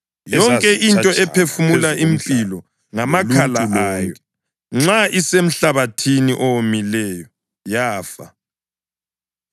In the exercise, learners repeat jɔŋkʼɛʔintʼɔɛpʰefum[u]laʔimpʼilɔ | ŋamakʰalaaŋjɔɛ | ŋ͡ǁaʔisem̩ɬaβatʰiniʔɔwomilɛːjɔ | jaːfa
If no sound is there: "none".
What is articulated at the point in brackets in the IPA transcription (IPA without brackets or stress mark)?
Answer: u